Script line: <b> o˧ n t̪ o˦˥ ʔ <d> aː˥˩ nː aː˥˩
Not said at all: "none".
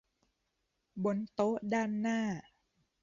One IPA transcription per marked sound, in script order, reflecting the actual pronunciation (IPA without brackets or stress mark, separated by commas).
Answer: b, d